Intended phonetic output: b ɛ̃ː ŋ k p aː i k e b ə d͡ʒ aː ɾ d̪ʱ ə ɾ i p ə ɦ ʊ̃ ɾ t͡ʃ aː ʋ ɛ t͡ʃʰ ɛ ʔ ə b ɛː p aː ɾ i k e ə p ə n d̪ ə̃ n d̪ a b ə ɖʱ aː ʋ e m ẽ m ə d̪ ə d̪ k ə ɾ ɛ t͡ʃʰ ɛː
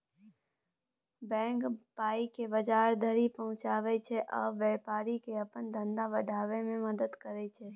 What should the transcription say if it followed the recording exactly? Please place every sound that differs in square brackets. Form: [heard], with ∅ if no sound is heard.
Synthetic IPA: b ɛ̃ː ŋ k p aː i k e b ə d͡ʒ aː ɾ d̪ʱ ə ɾ i p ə ɦ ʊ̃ [∅] t͡ʃ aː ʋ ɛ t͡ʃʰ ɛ ʔ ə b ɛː p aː ɾ i k e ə p ə n d̪ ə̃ n d̪ a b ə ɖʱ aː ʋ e m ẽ m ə d̪ ə d̪ k ə ɾ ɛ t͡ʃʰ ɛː